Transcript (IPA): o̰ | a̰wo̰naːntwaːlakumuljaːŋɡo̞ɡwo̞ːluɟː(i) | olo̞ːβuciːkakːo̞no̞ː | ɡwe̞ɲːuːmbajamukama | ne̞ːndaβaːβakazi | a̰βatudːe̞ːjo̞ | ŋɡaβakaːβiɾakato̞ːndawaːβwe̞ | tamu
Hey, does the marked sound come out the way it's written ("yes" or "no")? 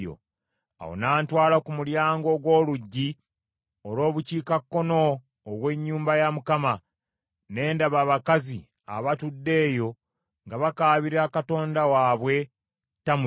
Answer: yes